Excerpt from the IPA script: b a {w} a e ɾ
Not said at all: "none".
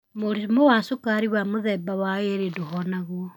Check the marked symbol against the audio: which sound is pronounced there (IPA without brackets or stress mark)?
w